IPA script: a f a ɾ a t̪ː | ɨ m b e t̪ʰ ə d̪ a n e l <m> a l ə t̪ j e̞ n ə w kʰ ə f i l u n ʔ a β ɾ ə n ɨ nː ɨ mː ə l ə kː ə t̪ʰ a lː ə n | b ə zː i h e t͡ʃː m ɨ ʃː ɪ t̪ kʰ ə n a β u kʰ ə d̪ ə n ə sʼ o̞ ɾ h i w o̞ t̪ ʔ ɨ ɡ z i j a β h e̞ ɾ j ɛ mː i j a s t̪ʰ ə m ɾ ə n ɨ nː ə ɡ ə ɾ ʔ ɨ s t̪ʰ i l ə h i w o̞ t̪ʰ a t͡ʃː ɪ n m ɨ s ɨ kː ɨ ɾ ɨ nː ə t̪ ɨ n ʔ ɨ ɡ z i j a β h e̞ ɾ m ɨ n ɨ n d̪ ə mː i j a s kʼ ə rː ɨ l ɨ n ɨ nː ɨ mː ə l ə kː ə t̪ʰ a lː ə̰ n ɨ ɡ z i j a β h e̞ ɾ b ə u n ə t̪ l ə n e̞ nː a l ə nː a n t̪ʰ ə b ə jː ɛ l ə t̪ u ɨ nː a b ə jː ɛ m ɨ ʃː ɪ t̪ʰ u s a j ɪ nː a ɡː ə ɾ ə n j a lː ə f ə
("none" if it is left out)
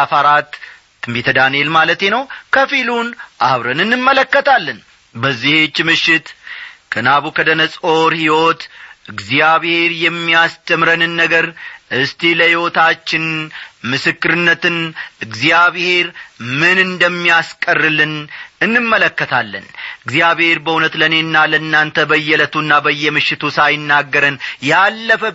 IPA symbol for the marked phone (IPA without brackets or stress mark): m